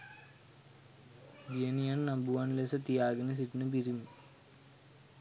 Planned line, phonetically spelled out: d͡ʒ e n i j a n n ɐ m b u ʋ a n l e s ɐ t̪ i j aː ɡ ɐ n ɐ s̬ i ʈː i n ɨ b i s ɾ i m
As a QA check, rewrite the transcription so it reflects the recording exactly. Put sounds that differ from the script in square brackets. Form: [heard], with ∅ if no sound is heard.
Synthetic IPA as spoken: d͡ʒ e n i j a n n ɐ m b u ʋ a n l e s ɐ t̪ i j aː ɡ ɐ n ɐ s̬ i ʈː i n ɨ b i [∅] ɾ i m